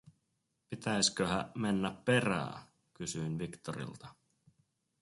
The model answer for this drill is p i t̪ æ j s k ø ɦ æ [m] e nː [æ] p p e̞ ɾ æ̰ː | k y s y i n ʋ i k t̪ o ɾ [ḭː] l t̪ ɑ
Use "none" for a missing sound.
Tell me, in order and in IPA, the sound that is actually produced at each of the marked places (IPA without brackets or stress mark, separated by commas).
m, æ, ḭ